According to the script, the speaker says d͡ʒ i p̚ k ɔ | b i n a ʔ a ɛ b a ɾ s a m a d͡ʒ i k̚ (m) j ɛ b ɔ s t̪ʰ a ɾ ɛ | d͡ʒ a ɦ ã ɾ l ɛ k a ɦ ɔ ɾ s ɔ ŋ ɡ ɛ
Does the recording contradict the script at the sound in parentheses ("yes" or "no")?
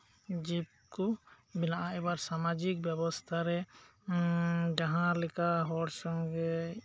yes